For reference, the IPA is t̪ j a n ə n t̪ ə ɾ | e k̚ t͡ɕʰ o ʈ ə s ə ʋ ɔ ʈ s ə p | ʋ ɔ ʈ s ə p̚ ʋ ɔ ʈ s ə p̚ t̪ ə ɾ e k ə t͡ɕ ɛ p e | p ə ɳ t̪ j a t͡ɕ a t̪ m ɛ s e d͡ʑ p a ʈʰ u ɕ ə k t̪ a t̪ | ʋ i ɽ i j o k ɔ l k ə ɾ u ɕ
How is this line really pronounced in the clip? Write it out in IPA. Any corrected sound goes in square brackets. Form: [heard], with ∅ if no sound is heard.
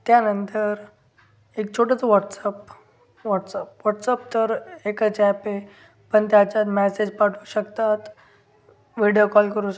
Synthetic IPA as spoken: t̪ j a n ə n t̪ ə ɾ | e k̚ t͡ɕʰ o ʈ ə [t͡s] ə ʋ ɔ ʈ s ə p | ʋ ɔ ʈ s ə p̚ ʋ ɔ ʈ s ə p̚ t̪ ə ɾ e k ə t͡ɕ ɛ p e | p ə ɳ t̪ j a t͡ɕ a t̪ m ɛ s e d͡ʑ p a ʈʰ u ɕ ə k t̪ a t̪ | ʋ i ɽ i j o k ɔ l k ə ɾ u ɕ